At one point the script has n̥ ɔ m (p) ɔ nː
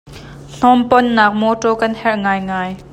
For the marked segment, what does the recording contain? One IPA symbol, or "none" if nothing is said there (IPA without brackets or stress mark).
p